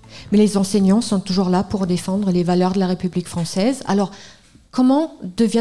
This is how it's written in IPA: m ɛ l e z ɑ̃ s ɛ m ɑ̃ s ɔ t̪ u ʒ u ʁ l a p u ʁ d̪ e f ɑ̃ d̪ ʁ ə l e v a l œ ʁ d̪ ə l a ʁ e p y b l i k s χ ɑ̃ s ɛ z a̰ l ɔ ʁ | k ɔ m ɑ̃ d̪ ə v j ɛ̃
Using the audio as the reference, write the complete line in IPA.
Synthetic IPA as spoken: m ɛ l e z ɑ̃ s ɛ ɲ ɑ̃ s ɔ̃ t̪ u ʒ u ʁ l a p u ʁ d̪ e f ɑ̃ d̪ ʁ ə l e v a l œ ʁ d̪ ə l a ʁ e p y b l i k f χ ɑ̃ s ɛ z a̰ l ɔ ʁ | k ɔ m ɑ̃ d̪ ə v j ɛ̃